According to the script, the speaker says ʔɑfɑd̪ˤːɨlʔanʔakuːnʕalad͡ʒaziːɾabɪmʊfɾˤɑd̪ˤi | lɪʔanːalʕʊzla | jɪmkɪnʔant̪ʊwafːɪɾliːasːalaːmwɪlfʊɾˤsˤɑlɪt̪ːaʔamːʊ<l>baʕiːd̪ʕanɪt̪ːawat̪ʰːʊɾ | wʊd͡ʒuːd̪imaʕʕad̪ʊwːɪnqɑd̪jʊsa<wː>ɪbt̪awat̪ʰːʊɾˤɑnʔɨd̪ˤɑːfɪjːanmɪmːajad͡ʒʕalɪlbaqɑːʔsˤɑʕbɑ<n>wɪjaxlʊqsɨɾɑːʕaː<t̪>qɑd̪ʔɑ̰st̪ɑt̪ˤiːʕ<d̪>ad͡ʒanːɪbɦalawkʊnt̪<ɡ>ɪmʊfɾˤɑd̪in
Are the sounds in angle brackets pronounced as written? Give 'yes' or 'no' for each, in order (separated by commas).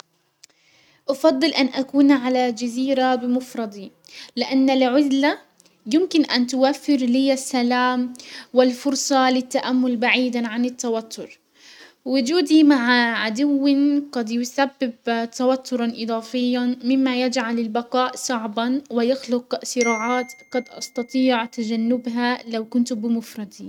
yes, no, yes, yes, no, no